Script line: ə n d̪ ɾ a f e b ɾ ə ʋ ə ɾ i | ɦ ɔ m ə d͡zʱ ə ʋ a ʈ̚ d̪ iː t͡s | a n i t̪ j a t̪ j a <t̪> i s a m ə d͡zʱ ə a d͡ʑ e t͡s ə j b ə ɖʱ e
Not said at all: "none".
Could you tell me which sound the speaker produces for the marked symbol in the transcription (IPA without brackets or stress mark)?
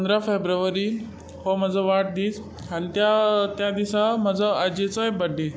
d̪